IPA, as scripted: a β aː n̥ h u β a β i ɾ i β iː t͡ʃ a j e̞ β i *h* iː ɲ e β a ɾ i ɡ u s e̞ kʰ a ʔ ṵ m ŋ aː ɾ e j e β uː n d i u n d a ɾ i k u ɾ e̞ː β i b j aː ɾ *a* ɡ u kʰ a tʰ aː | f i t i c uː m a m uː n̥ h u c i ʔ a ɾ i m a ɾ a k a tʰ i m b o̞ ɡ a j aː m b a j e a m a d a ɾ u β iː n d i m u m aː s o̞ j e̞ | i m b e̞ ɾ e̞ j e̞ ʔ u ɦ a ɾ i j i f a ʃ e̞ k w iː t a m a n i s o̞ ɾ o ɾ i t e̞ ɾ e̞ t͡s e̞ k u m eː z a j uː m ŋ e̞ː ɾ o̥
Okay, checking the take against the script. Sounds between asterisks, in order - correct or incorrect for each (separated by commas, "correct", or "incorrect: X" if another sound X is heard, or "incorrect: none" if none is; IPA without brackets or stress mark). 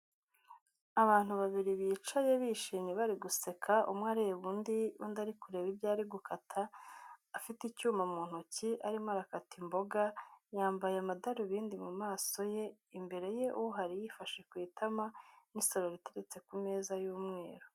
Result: incorrect: ʃ, incorrect: i